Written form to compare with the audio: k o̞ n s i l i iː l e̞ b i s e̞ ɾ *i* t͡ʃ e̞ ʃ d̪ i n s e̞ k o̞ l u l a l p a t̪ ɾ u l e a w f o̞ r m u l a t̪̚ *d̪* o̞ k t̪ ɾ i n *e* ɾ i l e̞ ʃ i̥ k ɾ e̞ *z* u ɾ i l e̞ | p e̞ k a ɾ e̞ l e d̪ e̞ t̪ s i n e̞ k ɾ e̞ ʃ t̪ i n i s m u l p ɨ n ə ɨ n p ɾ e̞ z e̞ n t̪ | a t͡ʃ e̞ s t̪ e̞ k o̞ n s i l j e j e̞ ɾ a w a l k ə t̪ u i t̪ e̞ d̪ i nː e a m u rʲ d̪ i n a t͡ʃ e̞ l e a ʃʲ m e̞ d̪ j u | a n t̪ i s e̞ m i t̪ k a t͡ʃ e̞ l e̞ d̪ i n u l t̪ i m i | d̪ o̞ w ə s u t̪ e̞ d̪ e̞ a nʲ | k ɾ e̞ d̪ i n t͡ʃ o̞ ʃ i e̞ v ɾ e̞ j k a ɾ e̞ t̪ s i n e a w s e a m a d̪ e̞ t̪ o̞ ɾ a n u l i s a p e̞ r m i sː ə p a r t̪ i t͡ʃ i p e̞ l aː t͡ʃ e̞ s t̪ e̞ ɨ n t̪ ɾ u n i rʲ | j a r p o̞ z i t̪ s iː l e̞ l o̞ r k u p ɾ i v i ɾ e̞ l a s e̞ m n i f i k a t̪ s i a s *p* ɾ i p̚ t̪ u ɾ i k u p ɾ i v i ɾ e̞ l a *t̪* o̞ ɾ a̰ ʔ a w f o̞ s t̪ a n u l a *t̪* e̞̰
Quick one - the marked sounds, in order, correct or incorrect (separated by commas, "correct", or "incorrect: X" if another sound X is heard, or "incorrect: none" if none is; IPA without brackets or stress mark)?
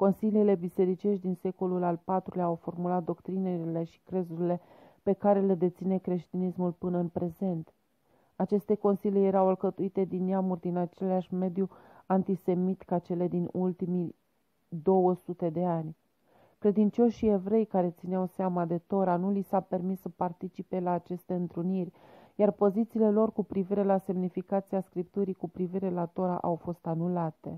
correct, correct, correct, correct, incorrect: k, correct, correct